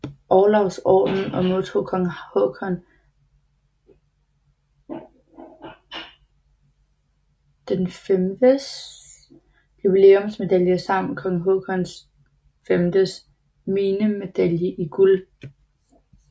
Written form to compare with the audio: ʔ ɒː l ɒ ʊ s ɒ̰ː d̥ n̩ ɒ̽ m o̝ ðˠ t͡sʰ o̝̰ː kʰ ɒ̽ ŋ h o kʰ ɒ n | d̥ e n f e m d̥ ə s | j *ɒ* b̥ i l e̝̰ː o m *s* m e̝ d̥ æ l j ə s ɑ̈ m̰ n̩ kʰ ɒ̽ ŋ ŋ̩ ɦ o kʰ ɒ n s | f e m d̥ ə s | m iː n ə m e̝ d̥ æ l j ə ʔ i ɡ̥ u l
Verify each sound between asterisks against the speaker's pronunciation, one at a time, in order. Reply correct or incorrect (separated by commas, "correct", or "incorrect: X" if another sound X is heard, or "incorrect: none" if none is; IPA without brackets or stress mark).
incorrect: u, correct